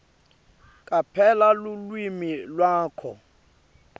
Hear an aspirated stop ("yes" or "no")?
yes